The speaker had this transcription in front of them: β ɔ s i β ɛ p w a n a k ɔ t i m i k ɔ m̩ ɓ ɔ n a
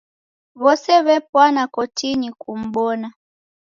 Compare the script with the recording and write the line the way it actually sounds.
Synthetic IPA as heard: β ɔ s ɛ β ɛ p w a n a k ɔ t i ɲ i k u m̩ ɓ ɔ n a